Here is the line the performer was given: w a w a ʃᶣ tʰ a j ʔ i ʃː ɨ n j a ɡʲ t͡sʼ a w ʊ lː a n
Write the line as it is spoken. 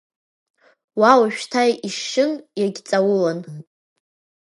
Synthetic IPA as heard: w a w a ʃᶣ tʰ a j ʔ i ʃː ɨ n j a ɡʲ t͡sʼ a w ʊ l a n